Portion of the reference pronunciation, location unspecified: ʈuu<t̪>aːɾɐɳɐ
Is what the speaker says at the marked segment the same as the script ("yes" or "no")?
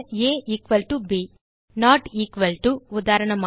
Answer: no